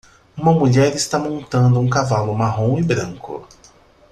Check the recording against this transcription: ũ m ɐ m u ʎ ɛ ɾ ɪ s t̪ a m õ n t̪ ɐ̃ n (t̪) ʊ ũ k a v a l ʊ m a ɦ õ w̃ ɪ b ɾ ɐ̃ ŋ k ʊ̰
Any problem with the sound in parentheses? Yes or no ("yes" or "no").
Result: yes